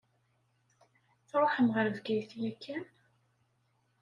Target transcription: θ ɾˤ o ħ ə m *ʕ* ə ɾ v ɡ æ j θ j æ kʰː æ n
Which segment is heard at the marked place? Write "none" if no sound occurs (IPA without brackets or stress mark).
ʁ